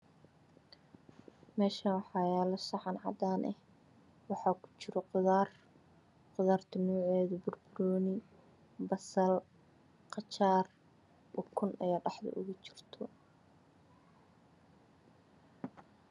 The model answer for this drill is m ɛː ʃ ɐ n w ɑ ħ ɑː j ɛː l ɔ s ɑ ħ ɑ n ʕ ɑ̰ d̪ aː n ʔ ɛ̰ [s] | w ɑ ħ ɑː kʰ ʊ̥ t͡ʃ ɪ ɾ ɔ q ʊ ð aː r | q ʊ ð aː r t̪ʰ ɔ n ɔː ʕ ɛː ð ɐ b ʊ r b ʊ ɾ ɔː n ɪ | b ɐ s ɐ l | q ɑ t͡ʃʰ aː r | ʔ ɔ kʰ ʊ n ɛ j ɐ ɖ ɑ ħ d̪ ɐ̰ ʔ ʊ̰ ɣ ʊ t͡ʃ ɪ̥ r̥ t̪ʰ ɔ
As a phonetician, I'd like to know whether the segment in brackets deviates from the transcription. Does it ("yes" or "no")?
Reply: yes